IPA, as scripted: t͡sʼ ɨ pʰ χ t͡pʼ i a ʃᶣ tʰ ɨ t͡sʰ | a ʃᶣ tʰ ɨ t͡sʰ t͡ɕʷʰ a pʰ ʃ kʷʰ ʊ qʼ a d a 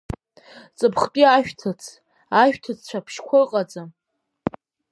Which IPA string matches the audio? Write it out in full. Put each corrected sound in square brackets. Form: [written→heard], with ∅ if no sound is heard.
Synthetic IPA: t͡sʼ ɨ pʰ χ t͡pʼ i a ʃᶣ tʰ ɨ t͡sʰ | a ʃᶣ tʰ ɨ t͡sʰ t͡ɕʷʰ a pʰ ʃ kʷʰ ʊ qʼ a [d→d͡z] a